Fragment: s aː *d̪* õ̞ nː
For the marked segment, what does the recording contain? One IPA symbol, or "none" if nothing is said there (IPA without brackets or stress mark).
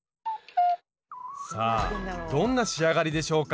d̪